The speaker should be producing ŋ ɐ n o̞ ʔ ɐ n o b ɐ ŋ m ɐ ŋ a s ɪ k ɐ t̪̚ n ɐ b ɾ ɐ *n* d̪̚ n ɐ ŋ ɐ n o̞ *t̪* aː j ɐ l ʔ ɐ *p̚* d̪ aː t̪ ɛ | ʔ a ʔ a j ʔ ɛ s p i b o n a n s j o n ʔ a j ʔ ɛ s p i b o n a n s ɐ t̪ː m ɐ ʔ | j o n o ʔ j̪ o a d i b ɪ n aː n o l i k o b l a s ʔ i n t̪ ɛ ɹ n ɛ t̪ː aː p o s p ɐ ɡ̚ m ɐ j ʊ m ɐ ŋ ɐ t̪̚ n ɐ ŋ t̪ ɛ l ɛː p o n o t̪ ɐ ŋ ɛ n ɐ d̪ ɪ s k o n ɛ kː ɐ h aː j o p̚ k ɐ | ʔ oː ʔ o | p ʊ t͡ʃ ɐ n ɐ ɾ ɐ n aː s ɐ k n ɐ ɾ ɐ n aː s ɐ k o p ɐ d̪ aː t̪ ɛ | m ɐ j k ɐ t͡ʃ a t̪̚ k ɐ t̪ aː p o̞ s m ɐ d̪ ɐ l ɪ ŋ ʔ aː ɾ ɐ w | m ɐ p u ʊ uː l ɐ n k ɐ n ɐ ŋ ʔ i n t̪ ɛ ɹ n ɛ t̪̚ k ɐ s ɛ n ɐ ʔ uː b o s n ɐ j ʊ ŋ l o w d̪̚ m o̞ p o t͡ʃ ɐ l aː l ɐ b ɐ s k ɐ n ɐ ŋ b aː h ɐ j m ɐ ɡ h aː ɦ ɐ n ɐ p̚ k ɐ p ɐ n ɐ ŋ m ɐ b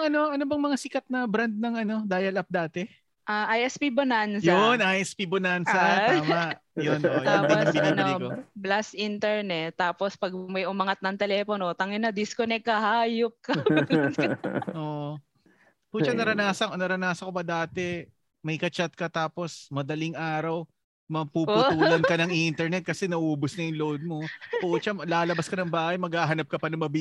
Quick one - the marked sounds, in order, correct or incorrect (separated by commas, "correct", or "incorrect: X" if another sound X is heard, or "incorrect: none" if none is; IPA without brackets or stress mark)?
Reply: correct, incorrect: d̪, correct